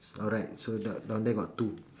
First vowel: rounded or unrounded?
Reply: rounded